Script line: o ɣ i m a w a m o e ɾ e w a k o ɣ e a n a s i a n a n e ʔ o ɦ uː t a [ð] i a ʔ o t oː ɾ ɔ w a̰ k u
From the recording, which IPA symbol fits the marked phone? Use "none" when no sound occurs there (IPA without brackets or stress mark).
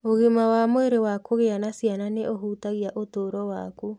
ɣ